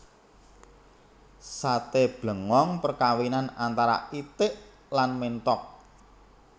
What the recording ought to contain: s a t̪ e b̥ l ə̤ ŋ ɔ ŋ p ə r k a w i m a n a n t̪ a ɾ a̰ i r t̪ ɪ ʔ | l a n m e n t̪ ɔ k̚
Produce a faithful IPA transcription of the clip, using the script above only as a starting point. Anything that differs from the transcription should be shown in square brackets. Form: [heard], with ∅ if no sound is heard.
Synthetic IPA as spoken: s a t̪ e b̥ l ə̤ ŋ ɔ ŋ p ə r k a w i [n] a n a n t̪ a ɾ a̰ i [∅] t̪ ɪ ʔ | l a n m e n t̪ ɔ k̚